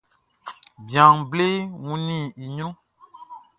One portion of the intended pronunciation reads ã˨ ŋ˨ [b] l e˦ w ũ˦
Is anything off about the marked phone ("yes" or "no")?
no